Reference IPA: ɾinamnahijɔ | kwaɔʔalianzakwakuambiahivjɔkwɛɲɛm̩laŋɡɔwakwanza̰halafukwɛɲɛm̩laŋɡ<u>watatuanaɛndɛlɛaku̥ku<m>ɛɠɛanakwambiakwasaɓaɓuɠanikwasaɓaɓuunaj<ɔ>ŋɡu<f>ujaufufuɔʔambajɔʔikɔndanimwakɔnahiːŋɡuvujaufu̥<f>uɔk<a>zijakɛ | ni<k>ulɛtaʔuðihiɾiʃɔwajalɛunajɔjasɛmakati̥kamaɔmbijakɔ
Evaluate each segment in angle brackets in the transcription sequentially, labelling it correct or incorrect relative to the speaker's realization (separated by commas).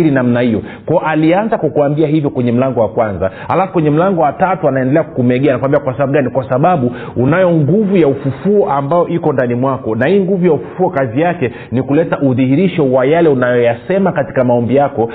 incorrect, correct, correct, incorrect, correct, correct, correct